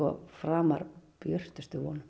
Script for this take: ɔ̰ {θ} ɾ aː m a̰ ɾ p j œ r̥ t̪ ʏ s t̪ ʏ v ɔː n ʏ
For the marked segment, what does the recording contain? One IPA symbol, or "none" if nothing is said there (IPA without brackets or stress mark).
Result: f